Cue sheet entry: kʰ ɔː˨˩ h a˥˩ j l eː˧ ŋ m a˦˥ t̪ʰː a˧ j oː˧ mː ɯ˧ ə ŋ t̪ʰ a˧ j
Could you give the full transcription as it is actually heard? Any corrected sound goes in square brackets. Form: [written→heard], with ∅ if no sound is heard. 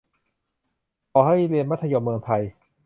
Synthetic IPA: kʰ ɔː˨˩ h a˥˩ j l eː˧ [ŋ→n] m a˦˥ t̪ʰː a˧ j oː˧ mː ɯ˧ ə ŋ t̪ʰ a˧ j

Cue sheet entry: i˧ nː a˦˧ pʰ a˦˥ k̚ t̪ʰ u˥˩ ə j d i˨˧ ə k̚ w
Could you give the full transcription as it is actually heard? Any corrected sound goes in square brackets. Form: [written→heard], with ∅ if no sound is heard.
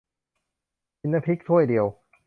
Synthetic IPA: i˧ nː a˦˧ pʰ [a˦˥→i˦˥] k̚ t̪ʰ u˥˩ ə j d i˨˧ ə [k̚→∅] w

